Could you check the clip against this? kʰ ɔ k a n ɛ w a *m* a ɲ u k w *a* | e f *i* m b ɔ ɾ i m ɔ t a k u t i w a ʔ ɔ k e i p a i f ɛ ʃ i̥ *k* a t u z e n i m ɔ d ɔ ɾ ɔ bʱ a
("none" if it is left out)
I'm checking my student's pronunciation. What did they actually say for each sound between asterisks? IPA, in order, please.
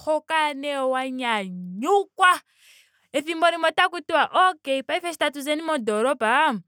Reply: ɲ, a, i, t

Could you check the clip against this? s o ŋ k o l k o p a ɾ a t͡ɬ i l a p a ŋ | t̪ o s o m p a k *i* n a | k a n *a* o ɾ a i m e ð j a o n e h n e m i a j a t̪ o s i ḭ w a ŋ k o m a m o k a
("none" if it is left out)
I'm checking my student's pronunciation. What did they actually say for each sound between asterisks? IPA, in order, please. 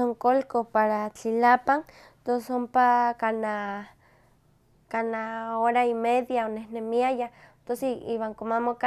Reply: a, a

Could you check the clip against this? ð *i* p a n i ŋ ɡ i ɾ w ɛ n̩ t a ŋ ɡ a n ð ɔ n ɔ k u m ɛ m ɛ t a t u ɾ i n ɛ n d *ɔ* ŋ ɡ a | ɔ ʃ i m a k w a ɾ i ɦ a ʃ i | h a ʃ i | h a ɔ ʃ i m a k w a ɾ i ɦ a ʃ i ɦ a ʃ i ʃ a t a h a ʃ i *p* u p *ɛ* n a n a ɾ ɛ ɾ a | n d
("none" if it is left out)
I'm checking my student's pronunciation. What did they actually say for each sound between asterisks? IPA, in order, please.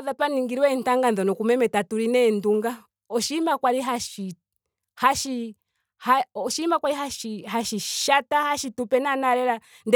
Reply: a, u, t, ɛ

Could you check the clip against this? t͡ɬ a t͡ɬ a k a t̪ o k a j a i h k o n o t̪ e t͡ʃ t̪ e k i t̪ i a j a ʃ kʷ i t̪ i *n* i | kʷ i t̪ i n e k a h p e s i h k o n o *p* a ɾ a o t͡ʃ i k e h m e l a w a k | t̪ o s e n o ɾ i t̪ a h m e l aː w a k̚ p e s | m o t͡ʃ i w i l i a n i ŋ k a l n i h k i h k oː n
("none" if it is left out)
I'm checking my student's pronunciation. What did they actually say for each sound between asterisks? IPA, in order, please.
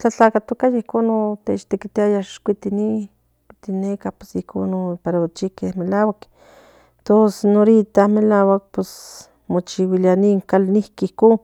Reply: n, p

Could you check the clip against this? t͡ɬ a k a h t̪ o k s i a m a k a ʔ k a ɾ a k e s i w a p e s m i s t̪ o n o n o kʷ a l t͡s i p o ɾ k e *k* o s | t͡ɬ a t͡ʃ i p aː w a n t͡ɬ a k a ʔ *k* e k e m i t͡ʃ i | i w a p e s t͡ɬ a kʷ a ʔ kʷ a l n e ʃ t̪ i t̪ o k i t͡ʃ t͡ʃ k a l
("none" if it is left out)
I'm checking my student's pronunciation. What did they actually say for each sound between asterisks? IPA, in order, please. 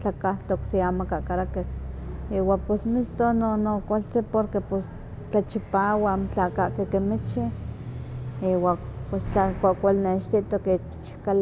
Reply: p, k

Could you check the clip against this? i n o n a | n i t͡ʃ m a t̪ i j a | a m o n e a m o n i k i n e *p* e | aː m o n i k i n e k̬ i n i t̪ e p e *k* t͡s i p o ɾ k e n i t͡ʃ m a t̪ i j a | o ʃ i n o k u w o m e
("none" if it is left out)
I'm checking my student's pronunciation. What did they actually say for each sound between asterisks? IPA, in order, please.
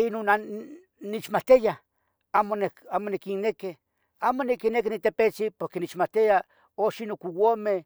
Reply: k, none

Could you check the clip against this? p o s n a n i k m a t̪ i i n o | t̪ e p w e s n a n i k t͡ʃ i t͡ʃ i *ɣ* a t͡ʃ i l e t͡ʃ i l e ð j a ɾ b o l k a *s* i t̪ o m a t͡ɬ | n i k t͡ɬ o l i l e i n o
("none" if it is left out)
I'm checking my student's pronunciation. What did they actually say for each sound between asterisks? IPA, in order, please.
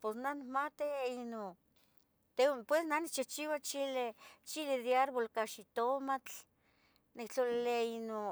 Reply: w, ʃ

